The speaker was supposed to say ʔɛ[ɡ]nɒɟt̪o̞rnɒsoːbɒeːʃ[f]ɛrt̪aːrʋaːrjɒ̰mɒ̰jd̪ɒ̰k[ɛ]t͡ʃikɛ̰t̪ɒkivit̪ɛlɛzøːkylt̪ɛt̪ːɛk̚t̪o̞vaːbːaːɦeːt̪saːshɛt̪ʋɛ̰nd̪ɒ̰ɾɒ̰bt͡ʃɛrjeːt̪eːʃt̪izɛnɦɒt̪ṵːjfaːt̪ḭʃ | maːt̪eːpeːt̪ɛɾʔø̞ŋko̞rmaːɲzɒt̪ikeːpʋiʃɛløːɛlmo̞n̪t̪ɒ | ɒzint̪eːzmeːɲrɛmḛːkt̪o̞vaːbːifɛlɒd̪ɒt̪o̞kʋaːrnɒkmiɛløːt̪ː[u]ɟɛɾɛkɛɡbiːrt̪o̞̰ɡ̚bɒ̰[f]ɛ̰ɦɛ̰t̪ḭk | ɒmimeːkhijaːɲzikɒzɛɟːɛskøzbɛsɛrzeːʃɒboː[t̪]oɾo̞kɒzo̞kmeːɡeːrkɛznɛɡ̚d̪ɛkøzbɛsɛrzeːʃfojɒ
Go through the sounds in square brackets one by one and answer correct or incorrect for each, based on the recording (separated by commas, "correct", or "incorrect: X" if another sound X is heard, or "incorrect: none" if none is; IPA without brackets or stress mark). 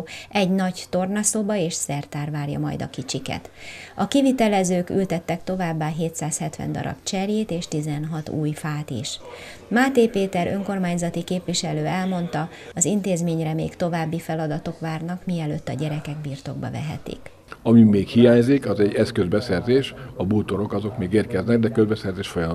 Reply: incorrect: ɟ, incorrect: s, incorrect: i, incorrect: ɒ, incorrect: v, correct